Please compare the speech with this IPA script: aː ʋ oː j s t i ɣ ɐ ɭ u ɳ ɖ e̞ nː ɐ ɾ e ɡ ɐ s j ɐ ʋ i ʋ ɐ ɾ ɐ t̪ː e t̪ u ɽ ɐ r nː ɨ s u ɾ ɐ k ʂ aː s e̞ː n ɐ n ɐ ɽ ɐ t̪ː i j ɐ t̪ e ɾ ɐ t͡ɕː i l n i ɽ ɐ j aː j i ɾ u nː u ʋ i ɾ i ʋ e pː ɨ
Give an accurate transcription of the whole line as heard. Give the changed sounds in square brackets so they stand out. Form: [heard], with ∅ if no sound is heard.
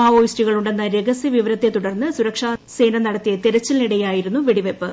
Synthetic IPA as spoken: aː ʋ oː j s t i ɣ ɐ ɭ u ɳ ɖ e̞ nː ɐ ɾ e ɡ ɐ s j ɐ ʋ i ʋ ɐ ɾ ɐ t̪ː e t̪ u ɽ ɐ r nː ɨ s u ɾ ɐ k ʂ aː s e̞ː n ɐ n ɐ ɽ ɐ t̪ː i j ɐ t̪ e ɾ ɐ t͡ɕː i l n i ɽ ɐ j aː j i ɾ u nː u ʋ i [ɽ] i ʋ e pː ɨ